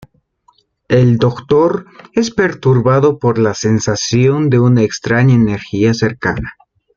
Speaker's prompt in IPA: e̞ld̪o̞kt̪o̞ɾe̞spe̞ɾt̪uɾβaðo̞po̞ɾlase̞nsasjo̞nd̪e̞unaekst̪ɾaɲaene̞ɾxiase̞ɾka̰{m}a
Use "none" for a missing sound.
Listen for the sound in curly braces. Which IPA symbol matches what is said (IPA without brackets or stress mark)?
n